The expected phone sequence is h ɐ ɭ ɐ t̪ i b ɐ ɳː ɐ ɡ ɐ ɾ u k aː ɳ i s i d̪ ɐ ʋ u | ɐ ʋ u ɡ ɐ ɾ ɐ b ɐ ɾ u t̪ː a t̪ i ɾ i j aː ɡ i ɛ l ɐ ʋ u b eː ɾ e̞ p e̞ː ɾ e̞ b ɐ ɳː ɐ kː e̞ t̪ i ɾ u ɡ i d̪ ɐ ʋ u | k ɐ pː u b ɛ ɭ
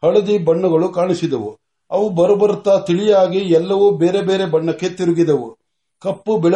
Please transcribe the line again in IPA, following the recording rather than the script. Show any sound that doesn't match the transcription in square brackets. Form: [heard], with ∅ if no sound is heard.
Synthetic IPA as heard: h ɐ ɭ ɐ [d̪] i b ɐ ɳː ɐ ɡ ɐ [ɭ] u k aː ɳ i s i d̪ ɐ ʋ u | ɐ ʋ u [b] ɐ ɾ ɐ b ɐ ɾ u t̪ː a t̪ i [ɭ] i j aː ɡ i ɛ [lː] ɐ ʋ u b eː ɾ e̞ [b] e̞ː ɾ e̞ b ɐ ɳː ɐ kː e̞ t̪ i ɾ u ɡ i d̪ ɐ ʋ u | k ɐ pː u b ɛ ɭ